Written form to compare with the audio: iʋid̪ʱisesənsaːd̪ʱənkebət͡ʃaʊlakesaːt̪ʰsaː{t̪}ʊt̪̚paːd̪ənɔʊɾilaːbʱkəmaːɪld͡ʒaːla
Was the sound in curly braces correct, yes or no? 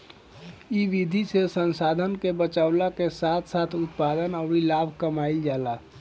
no